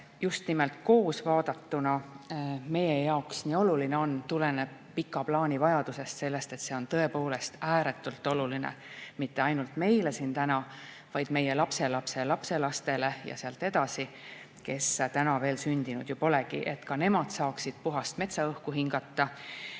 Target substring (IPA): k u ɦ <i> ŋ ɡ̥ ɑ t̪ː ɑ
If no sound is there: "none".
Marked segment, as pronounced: i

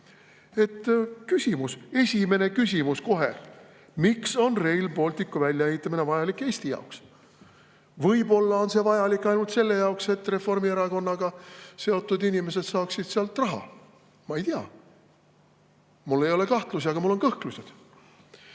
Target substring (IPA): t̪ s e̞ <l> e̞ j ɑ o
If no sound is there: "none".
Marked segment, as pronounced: lː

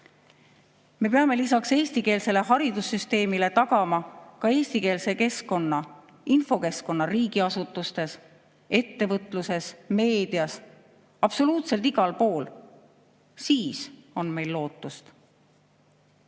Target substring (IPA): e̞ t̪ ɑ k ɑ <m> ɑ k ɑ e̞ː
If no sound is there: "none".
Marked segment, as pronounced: m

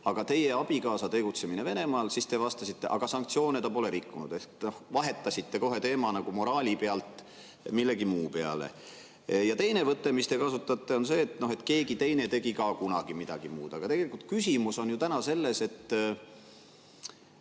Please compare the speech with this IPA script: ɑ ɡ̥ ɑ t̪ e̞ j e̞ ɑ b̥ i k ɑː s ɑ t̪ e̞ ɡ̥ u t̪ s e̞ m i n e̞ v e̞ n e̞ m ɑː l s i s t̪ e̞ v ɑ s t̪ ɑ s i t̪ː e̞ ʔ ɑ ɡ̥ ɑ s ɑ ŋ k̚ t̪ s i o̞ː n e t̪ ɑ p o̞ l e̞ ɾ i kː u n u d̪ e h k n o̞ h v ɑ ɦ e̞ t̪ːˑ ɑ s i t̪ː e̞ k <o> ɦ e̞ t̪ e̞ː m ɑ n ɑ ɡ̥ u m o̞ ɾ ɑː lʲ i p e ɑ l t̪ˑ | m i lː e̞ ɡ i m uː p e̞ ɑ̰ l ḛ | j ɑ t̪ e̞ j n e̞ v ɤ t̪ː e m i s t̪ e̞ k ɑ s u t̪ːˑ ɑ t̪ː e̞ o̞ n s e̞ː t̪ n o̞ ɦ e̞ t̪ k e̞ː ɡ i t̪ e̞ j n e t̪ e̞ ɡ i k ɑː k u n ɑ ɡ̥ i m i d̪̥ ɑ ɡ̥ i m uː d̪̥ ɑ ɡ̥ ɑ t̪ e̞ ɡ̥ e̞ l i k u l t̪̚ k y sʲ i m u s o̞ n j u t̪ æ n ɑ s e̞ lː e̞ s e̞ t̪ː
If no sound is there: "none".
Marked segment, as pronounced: o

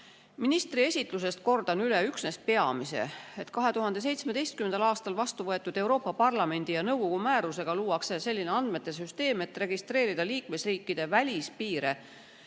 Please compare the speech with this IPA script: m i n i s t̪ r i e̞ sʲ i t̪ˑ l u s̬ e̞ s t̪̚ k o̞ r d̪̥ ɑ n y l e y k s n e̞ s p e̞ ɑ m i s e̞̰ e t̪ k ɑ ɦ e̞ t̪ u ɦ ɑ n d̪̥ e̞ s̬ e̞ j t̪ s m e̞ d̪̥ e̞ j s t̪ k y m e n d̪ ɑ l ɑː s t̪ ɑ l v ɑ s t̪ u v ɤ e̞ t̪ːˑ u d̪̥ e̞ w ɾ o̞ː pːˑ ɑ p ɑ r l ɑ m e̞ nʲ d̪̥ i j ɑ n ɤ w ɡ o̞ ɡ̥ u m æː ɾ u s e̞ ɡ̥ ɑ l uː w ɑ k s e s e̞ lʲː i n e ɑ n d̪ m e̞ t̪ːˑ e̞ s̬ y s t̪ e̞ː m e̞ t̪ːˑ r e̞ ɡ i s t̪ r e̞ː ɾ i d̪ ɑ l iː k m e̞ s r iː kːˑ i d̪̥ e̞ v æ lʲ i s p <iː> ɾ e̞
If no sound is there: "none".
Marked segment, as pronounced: iː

